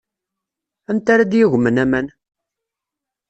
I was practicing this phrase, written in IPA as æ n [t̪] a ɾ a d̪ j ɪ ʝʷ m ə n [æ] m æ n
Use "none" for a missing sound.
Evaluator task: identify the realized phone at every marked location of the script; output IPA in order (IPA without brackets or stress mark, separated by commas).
t̪, æ